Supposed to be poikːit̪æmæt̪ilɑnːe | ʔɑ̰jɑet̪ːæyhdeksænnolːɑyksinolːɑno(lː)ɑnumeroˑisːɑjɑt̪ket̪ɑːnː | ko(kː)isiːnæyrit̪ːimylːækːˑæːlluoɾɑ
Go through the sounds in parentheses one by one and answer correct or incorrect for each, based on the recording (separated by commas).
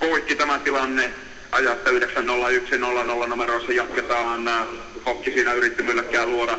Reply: correct, correct